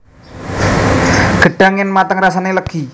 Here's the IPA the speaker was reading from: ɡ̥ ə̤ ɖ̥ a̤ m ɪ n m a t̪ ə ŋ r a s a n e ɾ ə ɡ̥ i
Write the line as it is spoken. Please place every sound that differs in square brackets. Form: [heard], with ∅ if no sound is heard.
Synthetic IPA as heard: ɡ̥ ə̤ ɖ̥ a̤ [ŋ] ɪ n m a t̪ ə ŋ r a s a n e [l] ə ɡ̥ i